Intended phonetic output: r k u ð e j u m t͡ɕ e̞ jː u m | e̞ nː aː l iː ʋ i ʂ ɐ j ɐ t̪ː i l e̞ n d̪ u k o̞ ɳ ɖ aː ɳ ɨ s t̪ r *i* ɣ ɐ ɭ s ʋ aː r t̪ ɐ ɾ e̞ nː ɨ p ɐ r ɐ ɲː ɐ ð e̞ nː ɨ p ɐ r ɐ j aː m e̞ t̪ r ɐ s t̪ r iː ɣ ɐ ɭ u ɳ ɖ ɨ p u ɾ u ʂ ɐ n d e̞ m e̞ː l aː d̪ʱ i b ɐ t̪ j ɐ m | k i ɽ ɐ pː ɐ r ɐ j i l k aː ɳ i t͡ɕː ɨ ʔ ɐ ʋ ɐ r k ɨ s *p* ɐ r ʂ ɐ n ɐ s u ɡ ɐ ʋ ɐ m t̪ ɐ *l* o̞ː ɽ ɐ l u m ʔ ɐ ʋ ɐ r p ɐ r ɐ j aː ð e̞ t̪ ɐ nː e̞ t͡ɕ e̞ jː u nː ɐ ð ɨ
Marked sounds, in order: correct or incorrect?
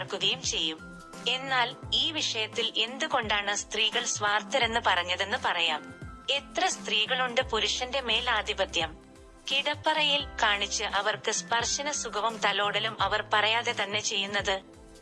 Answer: incorrect, correct, correct

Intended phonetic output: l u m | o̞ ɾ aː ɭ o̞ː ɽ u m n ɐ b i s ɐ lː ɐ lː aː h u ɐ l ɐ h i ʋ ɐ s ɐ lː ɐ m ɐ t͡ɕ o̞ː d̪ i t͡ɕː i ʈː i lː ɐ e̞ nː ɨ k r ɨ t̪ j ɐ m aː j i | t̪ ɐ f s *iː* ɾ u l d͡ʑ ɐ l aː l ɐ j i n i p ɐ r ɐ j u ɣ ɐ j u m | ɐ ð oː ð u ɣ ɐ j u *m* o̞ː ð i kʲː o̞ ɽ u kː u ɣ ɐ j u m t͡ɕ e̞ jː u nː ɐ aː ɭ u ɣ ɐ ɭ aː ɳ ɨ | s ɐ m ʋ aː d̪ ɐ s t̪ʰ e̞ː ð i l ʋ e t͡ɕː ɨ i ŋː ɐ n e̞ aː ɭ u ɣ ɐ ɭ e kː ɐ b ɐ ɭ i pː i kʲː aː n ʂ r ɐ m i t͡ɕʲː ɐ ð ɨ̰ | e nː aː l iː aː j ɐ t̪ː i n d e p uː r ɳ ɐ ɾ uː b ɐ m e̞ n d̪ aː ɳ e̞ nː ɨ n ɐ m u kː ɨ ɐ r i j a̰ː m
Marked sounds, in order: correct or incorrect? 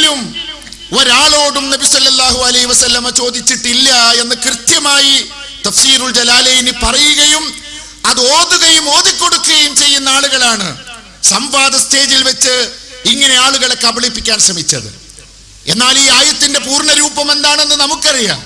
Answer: correct, correct

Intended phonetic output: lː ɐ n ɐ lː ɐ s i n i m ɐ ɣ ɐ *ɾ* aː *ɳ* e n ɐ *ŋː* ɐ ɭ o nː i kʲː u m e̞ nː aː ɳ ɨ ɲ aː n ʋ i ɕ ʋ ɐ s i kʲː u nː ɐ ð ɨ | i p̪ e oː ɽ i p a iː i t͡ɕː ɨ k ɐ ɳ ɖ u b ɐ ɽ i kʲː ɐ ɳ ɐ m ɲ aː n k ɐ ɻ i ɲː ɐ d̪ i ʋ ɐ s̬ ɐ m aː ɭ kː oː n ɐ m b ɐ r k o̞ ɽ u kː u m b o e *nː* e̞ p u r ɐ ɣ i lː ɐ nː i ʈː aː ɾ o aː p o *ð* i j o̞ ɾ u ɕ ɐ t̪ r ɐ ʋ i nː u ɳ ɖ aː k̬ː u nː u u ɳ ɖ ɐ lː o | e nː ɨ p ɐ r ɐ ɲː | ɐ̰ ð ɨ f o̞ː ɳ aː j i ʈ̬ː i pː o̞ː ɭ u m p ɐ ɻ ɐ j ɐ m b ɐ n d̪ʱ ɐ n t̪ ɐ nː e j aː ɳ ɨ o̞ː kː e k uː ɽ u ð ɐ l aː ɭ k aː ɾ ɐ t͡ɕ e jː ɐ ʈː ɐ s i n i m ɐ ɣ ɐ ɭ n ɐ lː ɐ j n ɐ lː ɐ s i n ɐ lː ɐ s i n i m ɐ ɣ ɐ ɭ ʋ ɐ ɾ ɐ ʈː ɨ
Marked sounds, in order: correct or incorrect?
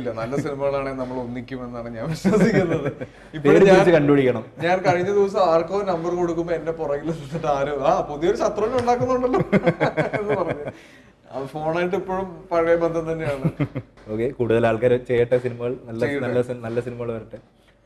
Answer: incorrect, correct, incorrect, correct, correct

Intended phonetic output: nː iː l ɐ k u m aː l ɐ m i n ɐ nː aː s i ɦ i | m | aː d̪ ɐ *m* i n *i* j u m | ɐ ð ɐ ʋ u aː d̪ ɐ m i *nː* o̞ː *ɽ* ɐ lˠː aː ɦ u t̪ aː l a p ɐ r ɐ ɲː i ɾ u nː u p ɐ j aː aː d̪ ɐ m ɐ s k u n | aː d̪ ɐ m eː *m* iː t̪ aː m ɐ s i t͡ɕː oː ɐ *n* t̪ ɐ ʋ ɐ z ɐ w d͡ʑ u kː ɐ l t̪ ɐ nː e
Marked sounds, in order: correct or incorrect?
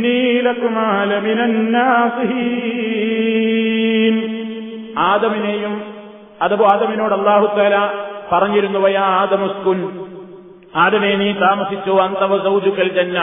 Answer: correct, incorrect, incorrect, correct, incorrect, correct

